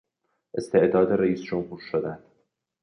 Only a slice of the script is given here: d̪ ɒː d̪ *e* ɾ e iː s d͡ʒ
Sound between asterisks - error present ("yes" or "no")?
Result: no